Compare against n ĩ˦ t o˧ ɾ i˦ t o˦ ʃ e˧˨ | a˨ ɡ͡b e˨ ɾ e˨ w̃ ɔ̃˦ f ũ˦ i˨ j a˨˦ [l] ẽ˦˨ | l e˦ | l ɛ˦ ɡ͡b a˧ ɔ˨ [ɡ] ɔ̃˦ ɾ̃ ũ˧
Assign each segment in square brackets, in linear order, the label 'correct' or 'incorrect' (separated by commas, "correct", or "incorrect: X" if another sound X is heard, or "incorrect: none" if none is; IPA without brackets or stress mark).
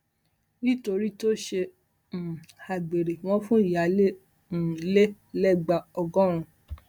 correct, correct